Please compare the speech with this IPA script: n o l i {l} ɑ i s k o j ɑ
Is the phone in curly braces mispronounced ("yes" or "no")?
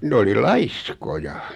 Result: no